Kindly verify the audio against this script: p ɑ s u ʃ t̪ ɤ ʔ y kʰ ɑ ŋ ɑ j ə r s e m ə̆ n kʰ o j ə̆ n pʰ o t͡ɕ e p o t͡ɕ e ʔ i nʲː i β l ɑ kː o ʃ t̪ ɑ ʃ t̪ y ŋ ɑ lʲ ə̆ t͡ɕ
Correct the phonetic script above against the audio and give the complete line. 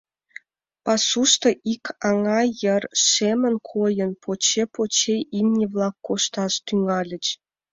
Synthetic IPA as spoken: p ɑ s u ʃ t̪ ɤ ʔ i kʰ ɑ ŋ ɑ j ə r ʃ e m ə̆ n kʰ o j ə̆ n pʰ o t͡ɕ e p o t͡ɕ e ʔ i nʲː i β l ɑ kː o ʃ t̪ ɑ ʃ t̪ y ŋ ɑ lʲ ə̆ t͡ɕ